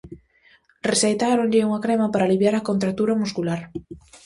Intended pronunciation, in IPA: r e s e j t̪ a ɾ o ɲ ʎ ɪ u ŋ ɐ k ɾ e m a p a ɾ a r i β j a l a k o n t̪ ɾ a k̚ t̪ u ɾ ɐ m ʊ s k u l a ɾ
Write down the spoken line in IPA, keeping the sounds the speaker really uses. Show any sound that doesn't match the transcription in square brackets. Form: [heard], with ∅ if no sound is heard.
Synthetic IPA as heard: r e s e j t̪ a ɾ o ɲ ʎ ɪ u ŋ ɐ k ɾ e m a p a ɾ a [l] i β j a [ɾ] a k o n t̪ ɾ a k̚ t̪ u ɾ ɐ m [u] s k u l a ɾ